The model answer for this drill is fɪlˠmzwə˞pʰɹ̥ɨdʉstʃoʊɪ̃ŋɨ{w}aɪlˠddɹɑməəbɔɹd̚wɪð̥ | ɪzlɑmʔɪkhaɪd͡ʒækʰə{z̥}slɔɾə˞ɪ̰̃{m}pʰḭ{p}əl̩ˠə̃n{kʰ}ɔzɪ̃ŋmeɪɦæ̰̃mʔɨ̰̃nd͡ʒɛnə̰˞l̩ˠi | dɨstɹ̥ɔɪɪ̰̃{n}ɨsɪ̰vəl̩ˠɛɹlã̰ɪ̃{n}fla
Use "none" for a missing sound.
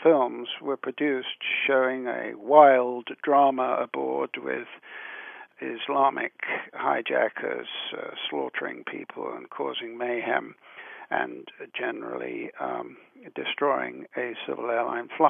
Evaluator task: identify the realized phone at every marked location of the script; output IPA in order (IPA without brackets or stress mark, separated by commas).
w, z̥, ŋ, pʰ, kʰ, ŋ, n